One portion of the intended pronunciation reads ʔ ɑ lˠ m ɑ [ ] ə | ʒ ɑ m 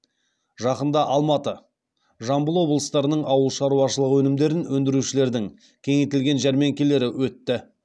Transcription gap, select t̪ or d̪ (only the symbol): t̪